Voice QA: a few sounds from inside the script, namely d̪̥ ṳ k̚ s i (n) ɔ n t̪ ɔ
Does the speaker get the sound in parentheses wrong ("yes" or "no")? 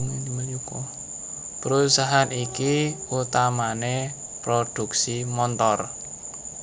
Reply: yes